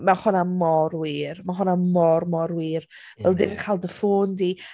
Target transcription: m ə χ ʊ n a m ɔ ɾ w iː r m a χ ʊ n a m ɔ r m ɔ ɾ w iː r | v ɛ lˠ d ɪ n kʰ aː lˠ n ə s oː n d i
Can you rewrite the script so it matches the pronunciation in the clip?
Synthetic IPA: m a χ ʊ n a m ɔ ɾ w iː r m a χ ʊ n a m ɔ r m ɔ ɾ w iː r | v ɛ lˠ d ɪ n kʰ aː lˠ d ə f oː n d i